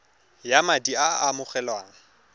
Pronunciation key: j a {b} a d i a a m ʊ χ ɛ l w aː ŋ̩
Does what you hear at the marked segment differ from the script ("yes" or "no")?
yes